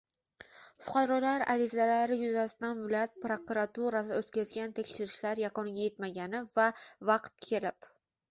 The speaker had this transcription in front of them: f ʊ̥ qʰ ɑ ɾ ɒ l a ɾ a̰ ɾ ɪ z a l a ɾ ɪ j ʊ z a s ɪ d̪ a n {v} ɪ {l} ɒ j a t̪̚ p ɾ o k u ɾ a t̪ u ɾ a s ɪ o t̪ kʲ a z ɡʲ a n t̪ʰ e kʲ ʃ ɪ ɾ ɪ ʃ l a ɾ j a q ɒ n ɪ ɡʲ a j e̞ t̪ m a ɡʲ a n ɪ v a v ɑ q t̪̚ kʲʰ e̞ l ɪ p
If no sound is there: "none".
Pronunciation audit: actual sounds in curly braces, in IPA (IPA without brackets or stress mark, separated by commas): v, l